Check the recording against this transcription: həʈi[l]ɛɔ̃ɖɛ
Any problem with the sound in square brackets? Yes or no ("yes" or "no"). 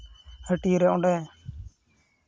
yes